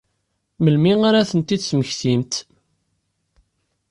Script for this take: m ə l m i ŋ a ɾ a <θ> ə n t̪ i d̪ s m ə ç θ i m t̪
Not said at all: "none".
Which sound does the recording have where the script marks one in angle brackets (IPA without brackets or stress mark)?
θ